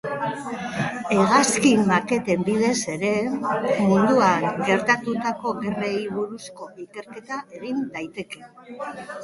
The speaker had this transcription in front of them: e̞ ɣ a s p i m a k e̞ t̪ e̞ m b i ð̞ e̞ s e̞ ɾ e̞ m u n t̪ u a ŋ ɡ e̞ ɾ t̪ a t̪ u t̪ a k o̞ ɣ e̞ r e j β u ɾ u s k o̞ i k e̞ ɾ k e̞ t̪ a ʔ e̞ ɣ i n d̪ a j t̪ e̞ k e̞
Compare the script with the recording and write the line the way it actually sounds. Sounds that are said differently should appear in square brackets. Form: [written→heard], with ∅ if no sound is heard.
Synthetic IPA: e̞ ɣ a s [p→k] i m a k e̞ t̪ e̞ m b i ð̞ e̞ s e̞ ɾ e̞ m u n [t̪→d̪] u a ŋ ɡ e̞ ɾ t̪ a t̪ u t̪ a k o̞ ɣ e̞ r e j β u ɾ u s k o̞ i k e̞ ɾ k e̞ t̪ a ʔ e̞ ɣ i n d̪ a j t̪ e̞ k e̞